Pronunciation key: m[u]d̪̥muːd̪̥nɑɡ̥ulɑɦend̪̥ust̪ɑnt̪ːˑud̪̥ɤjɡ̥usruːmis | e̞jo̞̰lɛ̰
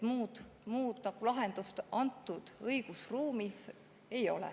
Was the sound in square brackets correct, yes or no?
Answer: no